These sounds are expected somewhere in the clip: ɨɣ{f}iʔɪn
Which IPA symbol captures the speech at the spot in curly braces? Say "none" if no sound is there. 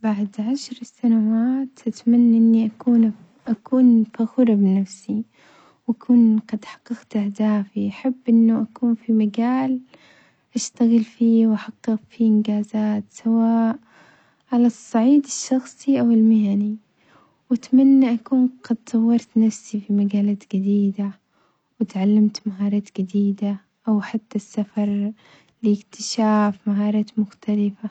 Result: f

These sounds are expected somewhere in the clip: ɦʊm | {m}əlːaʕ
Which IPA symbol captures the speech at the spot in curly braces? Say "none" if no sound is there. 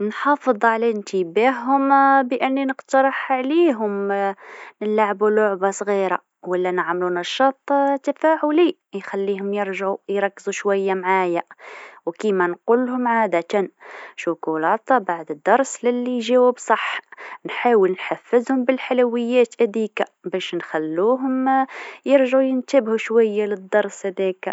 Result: n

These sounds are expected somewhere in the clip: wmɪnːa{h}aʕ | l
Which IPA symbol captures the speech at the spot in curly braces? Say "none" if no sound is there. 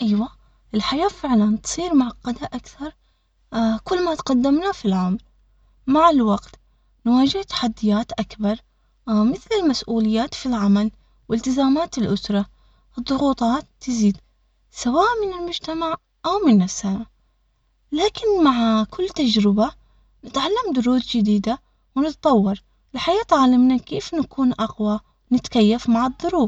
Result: s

